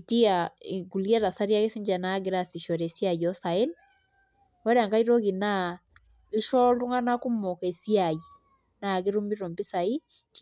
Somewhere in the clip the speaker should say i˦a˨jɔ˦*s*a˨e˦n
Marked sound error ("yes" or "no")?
no